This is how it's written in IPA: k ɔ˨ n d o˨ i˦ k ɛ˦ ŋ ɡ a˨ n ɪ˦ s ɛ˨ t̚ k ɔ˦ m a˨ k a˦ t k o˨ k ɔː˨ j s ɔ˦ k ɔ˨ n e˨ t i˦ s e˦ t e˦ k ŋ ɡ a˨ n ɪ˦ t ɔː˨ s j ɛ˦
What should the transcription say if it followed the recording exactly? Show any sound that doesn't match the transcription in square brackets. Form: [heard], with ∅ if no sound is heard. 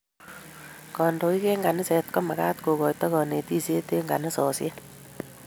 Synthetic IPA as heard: k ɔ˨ n d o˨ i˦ k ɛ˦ ŋ ɡ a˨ n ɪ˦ s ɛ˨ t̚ k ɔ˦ m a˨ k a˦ t k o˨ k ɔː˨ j [t] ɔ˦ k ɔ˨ n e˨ t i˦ s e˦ t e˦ [∅] ŋ ɡ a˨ n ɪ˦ [s] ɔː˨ s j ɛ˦

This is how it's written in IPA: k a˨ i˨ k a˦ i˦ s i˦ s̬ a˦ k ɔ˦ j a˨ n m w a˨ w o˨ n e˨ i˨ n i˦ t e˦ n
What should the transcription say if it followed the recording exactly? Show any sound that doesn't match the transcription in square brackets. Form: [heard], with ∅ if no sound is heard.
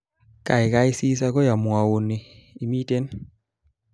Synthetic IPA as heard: k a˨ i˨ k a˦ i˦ s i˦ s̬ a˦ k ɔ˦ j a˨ [∅] m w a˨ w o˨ n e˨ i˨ [m] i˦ t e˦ n

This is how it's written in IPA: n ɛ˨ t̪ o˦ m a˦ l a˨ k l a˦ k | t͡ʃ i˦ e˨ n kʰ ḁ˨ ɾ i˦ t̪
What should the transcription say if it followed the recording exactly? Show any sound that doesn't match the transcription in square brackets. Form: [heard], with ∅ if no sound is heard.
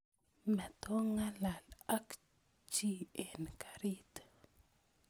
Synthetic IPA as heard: [m] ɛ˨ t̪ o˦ [ŋ] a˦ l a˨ [∅] l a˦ k | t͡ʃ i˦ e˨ n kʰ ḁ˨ ɾ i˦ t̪

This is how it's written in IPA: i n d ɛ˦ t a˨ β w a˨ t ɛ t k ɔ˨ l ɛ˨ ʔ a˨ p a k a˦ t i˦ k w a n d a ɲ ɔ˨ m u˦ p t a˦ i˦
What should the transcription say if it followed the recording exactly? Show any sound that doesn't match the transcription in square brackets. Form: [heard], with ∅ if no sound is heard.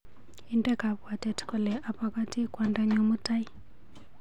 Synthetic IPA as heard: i n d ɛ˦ [k] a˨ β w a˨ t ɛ t k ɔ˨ l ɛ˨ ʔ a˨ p a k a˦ t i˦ k w a n d a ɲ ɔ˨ m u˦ [∅] t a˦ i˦

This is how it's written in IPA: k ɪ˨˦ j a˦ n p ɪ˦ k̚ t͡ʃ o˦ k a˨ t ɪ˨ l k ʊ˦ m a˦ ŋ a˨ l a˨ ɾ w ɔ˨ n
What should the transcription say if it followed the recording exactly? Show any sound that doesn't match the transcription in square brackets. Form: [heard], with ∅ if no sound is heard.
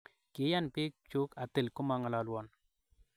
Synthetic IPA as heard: k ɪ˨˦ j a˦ n p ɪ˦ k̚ t͡ʃ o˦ k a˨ t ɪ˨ l k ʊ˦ m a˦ ŋ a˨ l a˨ [l] w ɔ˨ n

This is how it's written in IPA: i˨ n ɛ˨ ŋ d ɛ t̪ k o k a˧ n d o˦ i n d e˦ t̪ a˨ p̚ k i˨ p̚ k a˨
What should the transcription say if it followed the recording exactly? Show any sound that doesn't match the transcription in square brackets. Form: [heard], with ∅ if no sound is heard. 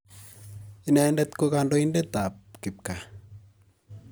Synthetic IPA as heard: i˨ n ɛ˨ [n] d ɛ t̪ k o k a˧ n d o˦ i n d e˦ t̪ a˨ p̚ k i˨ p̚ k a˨

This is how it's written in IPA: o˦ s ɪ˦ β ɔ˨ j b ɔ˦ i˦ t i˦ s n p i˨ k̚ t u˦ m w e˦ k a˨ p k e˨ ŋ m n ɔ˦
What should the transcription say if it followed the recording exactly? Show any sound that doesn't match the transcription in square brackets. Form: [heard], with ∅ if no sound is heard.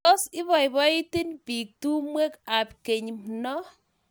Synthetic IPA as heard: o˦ s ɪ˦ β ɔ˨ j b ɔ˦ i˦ t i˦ [∅] n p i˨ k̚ t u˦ m w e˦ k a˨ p k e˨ [ɲ] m n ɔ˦

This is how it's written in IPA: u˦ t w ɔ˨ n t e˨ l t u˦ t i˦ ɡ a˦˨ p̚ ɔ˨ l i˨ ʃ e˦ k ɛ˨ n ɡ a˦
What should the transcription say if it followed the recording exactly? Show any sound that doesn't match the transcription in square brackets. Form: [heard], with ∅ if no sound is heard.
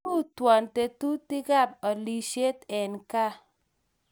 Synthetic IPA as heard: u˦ t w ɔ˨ n t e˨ [∅] t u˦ t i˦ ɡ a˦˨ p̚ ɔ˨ l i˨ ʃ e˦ [t] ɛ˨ n [k] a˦

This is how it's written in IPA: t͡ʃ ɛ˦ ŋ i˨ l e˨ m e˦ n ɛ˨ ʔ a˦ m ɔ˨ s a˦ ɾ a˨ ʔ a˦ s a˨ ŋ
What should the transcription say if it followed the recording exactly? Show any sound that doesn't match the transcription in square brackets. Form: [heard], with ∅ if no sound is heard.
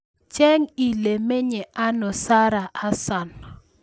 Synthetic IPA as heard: t͡ʃ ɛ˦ ŋ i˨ l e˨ m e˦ [ɲ] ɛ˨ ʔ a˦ [n] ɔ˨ s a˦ ɾ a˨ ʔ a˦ s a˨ [n]

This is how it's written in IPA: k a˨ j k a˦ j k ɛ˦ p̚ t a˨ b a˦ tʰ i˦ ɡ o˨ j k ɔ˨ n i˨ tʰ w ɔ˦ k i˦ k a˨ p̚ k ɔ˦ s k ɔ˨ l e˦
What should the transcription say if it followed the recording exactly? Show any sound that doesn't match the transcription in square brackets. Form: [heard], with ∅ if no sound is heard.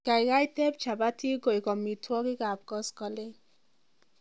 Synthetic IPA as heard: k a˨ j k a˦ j [t] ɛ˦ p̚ [t͡ʃ] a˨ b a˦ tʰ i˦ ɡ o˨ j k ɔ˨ [m] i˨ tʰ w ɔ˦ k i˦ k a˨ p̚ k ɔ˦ s k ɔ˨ l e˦

